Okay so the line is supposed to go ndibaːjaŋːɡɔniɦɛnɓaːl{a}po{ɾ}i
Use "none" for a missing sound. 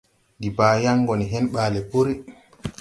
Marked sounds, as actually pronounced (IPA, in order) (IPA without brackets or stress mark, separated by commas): ɛ, ɾ